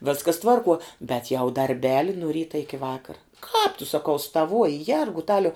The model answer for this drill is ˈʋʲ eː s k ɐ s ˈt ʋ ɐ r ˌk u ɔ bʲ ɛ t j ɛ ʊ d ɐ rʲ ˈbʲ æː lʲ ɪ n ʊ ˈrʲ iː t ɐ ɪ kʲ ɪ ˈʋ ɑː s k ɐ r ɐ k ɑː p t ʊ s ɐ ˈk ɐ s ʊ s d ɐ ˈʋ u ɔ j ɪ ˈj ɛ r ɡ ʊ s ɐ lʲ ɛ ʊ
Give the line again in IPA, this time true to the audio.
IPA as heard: ˈʋʲ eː s k ɐ s ˈt ʋ ɐ r ˌk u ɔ bʲ ɛ t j ɛ ʊ d ɐ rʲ ˈbʲ æː lʲ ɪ n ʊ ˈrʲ iː t ɐ ɪ kʲ ɪ ˈʋ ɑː k ɐ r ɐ k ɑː p t ʊ s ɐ ˈk ɐ ʊ s t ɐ ˈʋ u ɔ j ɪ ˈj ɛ r ɡ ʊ t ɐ lʲ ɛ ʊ